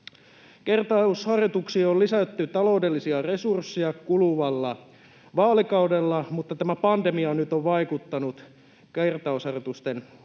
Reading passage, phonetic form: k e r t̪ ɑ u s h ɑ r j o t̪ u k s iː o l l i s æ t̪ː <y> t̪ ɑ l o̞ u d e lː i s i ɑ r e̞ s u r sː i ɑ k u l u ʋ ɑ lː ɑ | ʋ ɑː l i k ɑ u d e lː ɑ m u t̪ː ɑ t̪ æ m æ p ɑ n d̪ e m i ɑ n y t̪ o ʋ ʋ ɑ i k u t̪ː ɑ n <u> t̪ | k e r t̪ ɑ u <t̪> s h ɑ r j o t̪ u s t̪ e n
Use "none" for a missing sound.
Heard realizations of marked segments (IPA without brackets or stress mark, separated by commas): y, u, none